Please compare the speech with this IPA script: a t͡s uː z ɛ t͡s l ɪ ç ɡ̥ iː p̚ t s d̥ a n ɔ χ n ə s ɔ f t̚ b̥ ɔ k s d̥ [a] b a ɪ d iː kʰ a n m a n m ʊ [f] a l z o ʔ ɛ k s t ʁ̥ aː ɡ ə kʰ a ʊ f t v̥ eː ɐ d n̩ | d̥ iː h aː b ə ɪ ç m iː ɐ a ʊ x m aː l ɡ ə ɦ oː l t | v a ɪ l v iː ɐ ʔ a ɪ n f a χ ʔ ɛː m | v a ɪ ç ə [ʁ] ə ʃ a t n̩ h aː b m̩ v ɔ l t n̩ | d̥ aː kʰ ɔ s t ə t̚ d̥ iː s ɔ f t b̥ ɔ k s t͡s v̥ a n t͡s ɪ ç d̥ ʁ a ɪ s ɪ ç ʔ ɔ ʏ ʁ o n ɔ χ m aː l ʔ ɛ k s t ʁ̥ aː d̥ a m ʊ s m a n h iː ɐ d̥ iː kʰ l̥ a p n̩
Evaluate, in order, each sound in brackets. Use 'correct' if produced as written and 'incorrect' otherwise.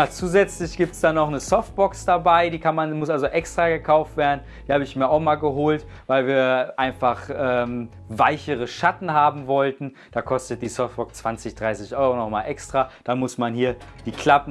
correct, incorrect: s, correct

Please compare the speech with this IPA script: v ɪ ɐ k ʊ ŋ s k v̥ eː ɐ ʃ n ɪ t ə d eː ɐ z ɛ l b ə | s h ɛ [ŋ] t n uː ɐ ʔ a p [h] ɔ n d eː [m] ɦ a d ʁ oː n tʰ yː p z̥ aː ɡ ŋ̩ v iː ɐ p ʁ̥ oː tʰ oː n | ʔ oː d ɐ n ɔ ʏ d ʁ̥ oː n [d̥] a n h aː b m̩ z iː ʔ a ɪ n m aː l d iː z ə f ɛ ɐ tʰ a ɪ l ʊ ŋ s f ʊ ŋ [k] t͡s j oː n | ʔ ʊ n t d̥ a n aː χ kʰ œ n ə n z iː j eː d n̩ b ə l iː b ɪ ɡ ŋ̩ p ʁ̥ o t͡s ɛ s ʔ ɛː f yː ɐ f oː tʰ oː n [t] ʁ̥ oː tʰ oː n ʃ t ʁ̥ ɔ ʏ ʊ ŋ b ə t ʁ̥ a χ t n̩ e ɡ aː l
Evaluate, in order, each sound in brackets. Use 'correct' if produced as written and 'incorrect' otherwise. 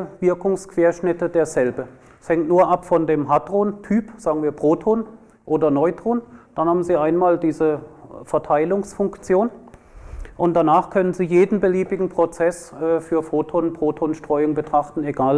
correct, incorrect: f, correct, correct, correct, incorrect: p

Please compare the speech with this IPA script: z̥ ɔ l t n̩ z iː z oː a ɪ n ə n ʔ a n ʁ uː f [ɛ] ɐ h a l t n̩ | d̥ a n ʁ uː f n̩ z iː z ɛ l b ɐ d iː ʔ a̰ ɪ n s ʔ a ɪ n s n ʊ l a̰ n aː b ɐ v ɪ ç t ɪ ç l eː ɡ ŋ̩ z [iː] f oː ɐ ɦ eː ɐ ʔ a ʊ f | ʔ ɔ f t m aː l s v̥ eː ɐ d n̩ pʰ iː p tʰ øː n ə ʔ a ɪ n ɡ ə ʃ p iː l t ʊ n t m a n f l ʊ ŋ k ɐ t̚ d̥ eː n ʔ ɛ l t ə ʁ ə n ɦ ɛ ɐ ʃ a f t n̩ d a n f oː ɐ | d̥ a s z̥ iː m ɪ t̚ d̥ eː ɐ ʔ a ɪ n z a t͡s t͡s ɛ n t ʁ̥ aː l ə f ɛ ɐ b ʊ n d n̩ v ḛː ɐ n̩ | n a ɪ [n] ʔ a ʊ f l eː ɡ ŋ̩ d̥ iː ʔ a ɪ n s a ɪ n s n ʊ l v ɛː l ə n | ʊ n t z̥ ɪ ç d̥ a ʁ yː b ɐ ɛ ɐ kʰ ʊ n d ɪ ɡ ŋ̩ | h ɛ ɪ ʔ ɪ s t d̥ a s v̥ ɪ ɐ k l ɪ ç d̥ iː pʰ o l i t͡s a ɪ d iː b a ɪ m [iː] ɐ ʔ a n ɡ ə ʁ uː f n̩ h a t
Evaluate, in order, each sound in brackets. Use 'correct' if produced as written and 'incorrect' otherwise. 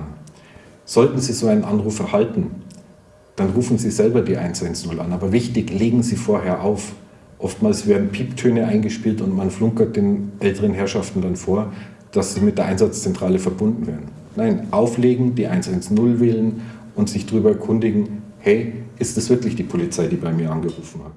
correct, correct, correct, correct

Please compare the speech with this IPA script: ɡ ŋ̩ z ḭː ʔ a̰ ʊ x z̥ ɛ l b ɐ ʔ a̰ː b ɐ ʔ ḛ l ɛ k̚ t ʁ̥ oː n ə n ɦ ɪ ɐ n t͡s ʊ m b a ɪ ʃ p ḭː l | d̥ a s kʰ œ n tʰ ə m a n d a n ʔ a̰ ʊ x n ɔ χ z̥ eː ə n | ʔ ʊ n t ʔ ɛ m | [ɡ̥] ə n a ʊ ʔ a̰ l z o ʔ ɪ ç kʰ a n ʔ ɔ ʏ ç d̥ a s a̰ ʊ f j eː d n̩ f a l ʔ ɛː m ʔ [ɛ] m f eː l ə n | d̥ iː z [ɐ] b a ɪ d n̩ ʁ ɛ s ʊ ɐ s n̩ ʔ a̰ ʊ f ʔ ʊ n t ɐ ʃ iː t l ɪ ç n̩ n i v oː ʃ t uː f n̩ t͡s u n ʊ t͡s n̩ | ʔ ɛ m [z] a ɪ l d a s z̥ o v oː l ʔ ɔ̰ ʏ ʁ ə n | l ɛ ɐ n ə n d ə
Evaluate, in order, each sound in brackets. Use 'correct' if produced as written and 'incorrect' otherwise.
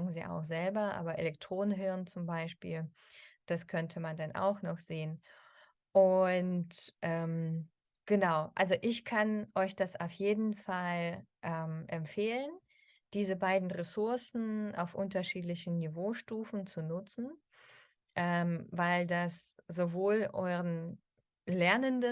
correct, correct, incorrect: ə, incorrect: v

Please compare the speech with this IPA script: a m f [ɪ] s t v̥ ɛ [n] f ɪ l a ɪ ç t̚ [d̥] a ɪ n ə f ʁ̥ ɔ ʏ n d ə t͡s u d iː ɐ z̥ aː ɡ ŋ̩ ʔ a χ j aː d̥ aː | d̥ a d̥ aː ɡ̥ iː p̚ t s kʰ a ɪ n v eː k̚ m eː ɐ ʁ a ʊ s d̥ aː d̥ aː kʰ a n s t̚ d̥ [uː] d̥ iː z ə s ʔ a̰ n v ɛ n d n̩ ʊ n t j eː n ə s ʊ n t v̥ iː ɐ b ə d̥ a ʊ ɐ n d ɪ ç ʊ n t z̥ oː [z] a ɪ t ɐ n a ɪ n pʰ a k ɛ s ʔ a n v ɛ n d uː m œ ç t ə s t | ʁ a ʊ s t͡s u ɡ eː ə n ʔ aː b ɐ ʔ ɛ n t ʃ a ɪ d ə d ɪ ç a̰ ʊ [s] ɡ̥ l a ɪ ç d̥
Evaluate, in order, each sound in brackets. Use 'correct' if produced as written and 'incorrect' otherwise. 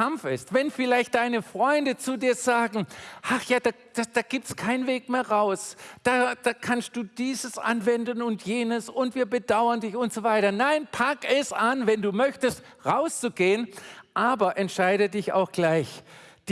correct, correct, correct, correct, incorrect: v, incorrect: x

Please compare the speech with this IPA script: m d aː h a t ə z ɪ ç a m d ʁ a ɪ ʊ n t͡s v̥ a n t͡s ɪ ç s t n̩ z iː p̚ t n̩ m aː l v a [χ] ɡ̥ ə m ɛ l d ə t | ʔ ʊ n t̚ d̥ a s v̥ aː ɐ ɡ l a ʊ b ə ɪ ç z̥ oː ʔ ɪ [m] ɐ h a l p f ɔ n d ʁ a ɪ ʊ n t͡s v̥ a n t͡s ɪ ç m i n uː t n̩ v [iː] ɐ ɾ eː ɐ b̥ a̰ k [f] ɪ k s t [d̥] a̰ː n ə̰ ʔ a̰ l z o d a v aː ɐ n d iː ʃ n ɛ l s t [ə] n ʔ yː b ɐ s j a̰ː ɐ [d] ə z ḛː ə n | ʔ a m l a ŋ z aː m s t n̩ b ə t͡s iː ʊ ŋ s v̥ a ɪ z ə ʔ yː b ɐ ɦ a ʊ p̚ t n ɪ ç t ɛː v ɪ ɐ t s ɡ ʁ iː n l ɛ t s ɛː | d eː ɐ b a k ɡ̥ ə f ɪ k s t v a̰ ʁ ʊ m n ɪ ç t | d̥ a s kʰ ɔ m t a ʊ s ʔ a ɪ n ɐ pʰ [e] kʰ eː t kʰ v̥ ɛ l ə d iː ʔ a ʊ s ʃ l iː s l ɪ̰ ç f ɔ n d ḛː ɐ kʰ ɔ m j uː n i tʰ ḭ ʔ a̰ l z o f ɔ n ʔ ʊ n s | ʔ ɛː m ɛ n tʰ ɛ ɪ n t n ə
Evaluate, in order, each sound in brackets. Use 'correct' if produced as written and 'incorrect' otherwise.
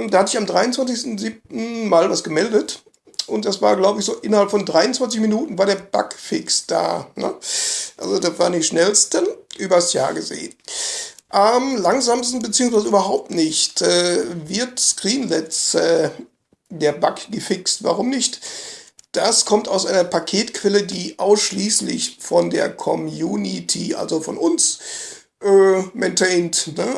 incorrect: s, incorrect: n, incorrect: aː, correct, correct, correct, incorrect: ɡ, incorrect: a

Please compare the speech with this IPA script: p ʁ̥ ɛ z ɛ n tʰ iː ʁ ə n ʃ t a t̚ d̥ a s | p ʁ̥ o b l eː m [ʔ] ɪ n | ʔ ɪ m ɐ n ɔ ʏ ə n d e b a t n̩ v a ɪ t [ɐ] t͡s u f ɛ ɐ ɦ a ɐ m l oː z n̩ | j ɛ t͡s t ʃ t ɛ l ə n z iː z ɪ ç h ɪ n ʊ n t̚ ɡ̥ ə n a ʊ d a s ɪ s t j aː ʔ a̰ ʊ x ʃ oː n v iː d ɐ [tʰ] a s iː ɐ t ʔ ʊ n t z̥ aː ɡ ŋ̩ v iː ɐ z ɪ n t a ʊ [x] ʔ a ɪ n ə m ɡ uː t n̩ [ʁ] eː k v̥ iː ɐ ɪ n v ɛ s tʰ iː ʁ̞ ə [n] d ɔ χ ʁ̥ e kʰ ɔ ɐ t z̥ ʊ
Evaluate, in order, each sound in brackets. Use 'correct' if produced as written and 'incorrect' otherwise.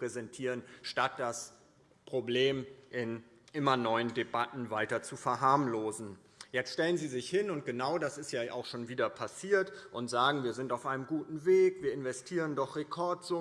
correct, correct, incorrect: pʰ, incorrect: f, incorrect: v, correct

